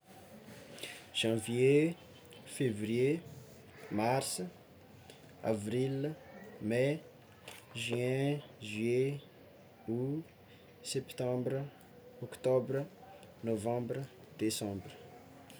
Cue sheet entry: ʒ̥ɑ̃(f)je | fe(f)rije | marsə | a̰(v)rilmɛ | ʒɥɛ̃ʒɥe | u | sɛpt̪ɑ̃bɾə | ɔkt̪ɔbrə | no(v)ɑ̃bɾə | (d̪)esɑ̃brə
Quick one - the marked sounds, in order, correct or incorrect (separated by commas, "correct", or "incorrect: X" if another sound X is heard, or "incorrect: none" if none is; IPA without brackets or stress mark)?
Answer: incorrect: v, incorrect: v, correct, correct, correct